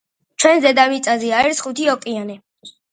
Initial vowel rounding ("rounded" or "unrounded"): unrounded